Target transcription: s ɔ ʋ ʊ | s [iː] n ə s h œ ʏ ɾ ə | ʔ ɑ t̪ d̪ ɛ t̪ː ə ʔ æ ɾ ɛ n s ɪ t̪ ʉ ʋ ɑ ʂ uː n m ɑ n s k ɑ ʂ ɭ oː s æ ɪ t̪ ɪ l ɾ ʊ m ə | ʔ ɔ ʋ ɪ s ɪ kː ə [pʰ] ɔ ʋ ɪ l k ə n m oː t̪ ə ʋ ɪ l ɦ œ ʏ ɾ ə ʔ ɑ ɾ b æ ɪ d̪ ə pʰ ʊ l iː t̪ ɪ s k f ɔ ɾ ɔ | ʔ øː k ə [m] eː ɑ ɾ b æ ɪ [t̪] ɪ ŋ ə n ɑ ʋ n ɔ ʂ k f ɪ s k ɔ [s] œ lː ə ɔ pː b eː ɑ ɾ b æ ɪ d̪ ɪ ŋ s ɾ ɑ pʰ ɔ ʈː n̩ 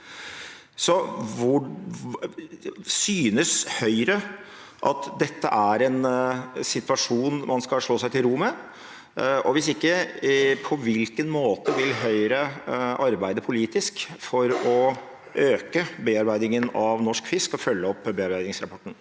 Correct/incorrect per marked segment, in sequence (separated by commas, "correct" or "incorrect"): incorrect, correct, incorrect, incorrect, incorrect